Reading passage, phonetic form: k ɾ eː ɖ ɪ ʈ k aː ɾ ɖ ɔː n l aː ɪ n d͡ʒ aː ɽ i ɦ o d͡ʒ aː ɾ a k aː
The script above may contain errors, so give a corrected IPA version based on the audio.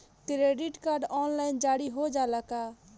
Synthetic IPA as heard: k ɾ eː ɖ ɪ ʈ k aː ɾ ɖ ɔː n l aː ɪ n d͡ʒ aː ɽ i ɦ o d͡ʒ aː l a k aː